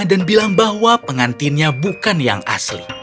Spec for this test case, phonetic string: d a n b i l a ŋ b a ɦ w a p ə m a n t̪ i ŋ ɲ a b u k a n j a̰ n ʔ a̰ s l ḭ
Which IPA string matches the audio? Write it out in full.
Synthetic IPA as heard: d a n b i l a ŋ b a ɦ w a p ə ŋ a n t̪ i n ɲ a b u k a n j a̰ ŋ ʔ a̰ s l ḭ